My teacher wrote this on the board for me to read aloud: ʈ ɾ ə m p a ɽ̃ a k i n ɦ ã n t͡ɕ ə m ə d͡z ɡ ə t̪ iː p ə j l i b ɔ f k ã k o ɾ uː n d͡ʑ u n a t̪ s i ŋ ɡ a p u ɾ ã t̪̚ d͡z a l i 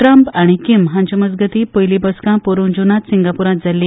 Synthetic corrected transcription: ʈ ɾ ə m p a ɽ̃ i k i m ɦ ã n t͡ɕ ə m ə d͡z ɡ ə t̪ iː p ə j l i b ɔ s k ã p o ɾ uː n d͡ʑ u n a t̪ s i ŋ ɡ a p u ɾ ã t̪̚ d͡z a l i